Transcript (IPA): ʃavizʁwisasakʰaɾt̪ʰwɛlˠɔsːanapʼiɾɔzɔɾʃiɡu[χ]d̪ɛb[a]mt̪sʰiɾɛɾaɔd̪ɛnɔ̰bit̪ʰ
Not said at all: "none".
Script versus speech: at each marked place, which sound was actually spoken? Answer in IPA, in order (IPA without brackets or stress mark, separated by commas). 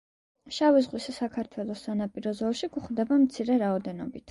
χ, a